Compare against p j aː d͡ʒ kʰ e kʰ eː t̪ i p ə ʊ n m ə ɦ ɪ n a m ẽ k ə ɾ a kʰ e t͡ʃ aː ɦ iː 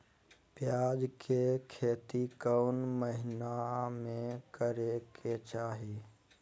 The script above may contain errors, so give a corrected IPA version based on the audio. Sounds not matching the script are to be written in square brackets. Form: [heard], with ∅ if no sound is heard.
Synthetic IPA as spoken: p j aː d͡ʒ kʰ e kʰ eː t̪ i [k] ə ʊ n m ə ɦ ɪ n a m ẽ k ə ɾ [e] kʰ e t͡ʃ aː ɦ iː